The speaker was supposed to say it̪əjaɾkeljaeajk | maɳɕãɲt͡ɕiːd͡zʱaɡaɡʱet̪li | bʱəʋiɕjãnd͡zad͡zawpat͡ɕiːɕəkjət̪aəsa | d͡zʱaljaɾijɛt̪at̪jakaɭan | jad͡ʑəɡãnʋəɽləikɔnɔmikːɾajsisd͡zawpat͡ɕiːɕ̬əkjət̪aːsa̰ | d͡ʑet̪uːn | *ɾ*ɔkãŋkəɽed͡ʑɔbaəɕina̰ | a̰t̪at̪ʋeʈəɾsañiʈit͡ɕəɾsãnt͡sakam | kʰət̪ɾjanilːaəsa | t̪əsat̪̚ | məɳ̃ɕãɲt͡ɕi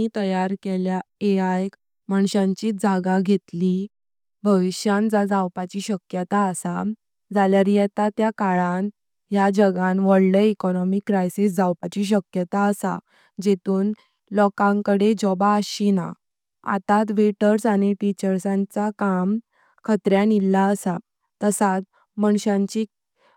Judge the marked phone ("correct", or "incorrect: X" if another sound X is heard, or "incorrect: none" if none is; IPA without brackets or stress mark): incorrect: l